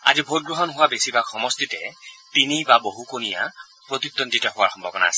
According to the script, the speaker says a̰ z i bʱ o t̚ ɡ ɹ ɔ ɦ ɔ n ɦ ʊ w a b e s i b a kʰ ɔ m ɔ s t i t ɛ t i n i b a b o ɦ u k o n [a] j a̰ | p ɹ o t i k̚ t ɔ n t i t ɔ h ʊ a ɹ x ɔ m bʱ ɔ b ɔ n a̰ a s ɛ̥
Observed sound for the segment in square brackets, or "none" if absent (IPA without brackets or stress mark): i